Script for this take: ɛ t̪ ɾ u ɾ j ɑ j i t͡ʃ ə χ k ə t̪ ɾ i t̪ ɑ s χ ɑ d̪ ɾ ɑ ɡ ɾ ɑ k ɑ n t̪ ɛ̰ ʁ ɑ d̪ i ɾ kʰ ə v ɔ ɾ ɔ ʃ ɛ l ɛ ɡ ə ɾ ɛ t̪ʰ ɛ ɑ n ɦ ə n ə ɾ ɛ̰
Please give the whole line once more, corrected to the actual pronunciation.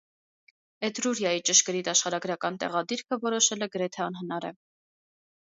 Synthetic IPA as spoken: ɛ t̪ ɾ u ɾ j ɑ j i t͡ʃ ə ʃ k ə ɾ i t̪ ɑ ʃ χ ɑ ɾ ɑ ɡ ɾ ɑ k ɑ n t̪ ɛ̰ ʁ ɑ d̪ i ɾ kʰ ə v ɔ ɾ ɔ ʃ ɛ l ɛ ɡ ə ɾ ɛ t̪ʰ ɛ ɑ n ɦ ə n ɑ ɾ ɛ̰